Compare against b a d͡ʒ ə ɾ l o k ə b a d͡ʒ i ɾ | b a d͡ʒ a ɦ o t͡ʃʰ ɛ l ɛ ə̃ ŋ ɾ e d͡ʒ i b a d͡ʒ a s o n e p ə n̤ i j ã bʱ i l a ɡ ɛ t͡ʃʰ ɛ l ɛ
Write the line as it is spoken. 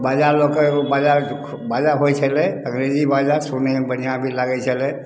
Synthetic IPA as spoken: b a d͡ʒ a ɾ l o k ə b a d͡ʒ a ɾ | b a d͡ʒ a ɦ o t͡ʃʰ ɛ l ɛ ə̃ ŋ ɾ e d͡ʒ i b a d͡ʒ a s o n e b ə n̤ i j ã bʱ i l a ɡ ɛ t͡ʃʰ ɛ l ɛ